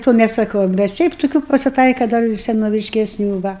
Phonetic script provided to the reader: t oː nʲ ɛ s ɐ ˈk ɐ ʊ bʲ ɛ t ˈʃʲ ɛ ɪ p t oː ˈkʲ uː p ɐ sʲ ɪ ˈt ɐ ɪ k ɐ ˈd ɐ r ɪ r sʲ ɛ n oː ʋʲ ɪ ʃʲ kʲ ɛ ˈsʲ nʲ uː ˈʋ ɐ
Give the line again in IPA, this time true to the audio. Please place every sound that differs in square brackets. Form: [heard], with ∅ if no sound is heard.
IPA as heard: t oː nʲ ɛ s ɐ ˈk ɐ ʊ bʲ ɛ t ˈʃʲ ɛ ɪ p t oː ˈkʲ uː p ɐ sʲ ɪ ˈt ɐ ɪ k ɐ ˈd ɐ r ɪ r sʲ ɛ n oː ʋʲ ɪ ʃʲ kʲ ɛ ˈsʲ nʲ uː ˈʋ ɐ